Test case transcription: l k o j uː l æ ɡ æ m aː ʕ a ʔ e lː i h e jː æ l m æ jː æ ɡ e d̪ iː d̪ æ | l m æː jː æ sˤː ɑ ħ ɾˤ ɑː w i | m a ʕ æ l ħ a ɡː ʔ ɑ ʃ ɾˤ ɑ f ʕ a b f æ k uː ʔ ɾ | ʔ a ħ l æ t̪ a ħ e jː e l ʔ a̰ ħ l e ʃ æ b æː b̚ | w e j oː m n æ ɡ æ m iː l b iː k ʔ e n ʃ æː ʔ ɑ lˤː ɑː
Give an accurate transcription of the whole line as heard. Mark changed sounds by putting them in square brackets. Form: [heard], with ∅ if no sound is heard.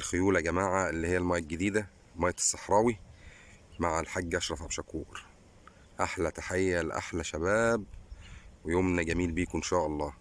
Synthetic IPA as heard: l [x] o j uː l æ ɡ æ m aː ʕ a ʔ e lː i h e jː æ l m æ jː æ ɡ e d̪ iː d̪ æ | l m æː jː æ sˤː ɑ ħ ɾˤ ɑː w i | m a ʕ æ l ħ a ɡː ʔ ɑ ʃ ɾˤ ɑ f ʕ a b [ʃ] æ k uː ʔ ɾ | ʔ a ħ l æ t̪ a ħ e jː [æ] l ʔ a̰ ħ l [æ] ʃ æ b æː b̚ | w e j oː m n æ ɡ æ m iː l b iː k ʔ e n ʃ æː ʔ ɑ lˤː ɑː